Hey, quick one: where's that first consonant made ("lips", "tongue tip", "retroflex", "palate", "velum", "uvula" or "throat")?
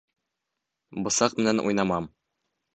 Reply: lips